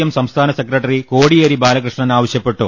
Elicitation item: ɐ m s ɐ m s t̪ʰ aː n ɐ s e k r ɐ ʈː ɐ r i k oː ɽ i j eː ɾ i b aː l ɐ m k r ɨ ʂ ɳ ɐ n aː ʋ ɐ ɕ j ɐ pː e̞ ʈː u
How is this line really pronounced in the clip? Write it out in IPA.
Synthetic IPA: ɐ m s ɐ m s t̪ʰ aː n ɐ s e k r ɐ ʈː ɐ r i k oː ɽ i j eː ɾ i b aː l ɐ k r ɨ ʂ ɳ ɐ n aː ʋ ɐ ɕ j ɐ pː e̞ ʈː u